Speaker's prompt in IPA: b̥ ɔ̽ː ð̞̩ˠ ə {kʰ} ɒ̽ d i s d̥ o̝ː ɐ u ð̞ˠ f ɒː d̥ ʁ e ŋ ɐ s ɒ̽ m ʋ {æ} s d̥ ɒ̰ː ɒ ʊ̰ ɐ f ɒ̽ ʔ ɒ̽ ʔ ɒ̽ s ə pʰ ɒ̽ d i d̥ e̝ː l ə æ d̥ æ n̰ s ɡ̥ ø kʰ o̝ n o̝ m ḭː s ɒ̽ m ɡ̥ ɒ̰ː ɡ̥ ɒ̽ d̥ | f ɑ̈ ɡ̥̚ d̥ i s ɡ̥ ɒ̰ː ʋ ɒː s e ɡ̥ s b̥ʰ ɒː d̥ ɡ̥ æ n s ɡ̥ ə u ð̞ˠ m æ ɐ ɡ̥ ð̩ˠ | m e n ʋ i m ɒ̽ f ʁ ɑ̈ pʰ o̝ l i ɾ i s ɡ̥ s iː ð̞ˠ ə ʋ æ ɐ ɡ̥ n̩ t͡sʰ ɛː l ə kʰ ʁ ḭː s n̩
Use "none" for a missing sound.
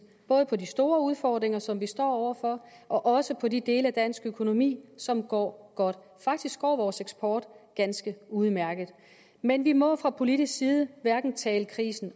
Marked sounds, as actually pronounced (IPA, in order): pʰ, i

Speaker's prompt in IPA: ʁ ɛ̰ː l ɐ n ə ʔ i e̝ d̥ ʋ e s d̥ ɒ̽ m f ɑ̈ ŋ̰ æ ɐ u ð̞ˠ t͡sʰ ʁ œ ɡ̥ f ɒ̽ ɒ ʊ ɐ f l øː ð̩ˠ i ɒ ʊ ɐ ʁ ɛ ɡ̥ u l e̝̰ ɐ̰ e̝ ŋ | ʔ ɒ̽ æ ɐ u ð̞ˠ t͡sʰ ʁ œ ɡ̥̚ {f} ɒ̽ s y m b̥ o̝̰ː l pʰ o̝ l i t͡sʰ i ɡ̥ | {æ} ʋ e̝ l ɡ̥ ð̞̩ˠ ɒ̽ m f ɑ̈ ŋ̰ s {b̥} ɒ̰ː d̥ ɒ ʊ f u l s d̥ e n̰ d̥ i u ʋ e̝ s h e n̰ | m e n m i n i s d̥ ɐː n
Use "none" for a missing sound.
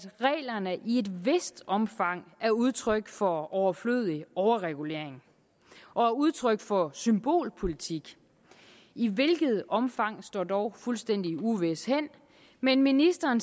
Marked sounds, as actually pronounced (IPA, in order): f, i, d̥

